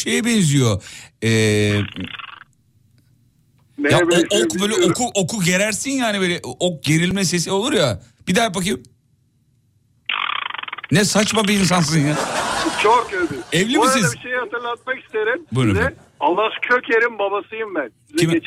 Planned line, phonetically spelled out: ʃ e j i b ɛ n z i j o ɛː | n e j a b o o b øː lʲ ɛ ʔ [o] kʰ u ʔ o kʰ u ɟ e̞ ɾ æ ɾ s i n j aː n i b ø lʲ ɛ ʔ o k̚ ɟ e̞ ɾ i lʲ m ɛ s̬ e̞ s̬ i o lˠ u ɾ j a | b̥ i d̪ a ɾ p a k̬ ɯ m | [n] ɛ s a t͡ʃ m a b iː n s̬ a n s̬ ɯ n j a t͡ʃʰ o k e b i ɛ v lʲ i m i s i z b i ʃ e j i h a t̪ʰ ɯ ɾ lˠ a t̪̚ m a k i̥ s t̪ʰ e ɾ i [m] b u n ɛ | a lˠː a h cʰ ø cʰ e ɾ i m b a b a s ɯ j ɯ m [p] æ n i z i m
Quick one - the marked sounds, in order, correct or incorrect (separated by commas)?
correct, correct, correct, incorrect